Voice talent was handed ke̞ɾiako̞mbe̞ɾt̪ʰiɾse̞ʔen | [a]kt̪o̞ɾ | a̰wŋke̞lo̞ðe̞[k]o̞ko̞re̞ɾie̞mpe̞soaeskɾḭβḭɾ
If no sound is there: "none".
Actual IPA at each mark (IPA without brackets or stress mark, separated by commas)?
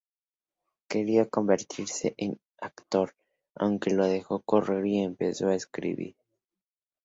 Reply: a, x